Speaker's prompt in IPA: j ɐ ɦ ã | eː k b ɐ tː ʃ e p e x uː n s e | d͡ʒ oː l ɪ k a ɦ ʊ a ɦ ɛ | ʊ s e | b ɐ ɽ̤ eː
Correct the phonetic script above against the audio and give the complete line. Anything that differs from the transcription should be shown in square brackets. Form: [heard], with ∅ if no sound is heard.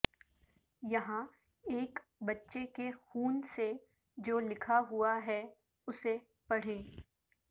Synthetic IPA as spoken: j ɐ ɦ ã | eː k b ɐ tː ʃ e [k] e x uː n s e | d͡ʒ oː l ɪ [kʰ] a ɦ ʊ a ɦ ɛ | ʊ s e | [p] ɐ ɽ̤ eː